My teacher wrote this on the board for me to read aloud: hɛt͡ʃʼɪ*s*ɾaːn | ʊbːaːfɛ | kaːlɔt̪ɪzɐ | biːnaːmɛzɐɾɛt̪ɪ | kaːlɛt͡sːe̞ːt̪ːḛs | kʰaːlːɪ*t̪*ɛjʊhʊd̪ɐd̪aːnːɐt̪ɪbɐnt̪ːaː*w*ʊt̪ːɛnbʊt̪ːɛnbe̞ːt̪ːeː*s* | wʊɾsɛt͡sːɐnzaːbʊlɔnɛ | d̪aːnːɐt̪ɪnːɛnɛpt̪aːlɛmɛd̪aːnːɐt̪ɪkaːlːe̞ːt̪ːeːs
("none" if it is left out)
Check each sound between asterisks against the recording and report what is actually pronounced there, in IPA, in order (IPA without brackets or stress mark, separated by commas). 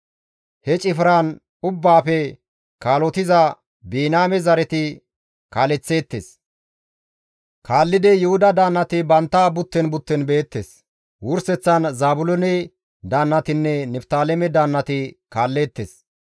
f, d̪, b, s